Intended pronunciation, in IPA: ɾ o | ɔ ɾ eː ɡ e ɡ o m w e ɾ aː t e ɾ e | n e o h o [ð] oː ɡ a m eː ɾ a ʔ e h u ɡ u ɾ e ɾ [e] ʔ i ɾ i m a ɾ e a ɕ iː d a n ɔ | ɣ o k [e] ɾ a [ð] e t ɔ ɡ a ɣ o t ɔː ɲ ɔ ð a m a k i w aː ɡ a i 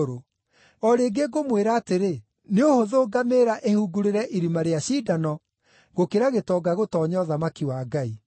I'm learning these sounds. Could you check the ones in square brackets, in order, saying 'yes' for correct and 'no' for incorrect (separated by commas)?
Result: yes, no, yes, no